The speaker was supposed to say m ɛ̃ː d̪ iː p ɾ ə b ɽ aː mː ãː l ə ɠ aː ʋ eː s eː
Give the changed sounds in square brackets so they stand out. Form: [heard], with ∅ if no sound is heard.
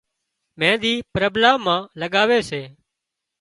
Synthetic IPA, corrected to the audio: m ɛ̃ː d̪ iː p ɾ ə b [l] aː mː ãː l ə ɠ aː ʋ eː s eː